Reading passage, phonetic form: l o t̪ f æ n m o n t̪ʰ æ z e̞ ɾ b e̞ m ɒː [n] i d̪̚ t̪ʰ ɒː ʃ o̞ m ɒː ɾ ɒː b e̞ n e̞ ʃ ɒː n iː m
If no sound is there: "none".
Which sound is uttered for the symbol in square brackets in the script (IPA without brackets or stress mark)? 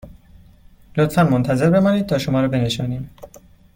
n